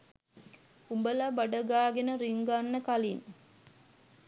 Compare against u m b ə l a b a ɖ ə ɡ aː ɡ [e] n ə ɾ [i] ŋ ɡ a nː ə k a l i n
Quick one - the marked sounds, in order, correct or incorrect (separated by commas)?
correct, correct